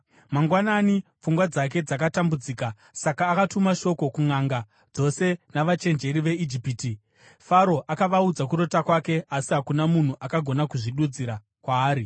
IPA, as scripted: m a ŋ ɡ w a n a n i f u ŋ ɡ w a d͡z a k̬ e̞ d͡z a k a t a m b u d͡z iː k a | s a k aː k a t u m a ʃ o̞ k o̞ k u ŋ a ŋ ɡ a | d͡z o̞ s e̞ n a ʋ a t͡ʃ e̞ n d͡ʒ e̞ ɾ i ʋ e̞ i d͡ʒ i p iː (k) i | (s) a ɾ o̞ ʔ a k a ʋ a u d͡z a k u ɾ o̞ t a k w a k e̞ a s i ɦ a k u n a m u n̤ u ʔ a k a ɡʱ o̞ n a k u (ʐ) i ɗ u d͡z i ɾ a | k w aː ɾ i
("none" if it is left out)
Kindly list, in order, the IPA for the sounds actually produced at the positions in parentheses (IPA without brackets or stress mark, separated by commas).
t, f, ʐ